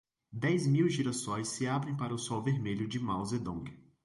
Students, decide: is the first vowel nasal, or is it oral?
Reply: oral